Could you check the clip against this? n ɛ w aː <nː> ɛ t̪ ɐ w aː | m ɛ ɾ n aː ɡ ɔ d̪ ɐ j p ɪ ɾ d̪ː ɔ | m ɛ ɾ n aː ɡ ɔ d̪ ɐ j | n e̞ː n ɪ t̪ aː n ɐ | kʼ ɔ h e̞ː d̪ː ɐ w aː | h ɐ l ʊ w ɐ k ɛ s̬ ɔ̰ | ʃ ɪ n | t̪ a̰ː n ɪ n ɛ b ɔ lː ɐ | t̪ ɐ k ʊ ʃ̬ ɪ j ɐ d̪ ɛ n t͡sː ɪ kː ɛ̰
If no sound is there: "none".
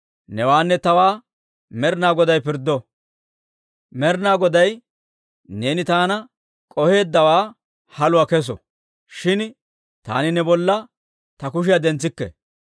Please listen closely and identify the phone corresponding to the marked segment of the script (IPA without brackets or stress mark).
nː